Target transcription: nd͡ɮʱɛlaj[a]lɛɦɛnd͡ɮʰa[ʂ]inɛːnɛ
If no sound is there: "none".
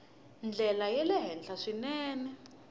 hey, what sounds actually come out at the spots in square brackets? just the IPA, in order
ɛ, ʂ

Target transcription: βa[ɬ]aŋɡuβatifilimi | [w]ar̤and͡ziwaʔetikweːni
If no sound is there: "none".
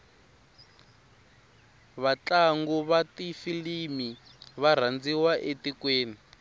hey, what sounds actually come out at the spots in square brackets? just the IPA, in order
t͡ɬ, β

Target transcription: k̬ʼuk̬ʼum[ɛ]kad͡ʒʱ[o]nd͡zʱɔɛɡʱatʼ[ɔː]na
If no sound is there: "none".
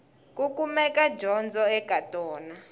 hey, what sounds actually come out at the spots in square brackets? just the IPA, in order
ɛ, ɔ, ɔː

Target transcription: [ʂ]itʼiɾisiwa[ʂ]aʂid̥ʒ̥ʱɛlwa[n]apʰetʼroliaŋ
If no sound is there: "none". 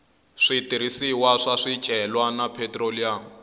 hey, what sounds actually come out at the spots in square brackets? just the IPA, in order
ʂ, ʂ, n

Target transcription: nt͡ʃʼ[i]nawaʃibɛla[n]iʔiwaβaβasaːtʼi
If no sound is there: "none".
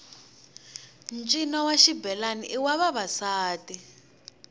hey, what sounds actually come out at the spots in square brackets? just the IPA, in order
i, n

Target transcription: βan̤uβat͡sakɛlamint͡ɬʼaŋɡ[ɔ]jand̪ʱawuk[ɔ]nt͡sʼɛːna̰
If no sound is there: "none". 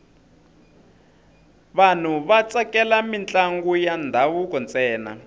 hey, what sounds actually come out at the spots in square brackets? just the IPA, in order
u, ɔ

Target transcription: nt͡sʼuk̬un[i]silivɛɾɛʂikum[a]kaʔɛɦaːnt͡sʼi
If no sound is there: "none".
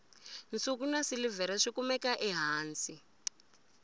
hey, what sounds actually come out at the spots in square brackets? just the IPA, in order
a, ɛ

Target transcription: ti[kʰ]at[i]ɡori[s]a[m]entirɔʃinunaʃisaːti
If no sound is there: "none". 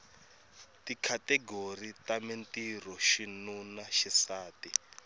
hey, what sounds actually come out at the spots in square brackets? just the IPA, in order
kʰ, ɛ, t, m

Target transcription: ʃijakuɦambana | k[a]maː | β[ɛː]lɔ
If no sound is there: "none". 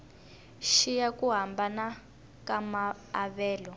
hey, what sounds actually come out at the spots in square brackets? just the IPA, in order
a, ɛː

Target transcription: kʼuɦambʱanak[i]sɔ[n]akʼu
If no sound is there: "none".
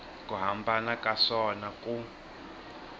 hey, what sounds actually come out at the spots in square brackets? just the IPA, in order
a, n

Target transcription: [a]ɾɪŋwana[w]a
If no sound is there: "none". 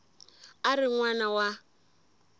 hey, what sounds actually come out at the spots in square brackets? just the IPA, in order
a, w

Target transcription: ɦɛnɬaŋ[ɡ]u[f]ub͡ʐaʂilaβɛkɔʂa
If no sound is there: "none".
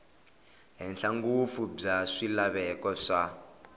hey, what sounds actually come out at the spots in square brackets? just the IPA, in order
ɡ, f

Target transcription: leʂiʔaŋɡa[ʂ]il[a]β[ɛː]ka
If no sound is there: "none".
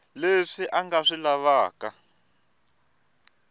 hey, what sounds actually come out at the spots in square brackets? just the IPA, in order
ʂ, a, aː

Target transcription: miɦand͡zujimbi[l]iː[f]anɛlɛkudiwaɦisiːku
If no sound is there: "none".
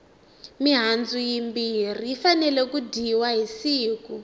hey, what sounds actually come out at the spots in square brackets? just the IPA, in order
r, f

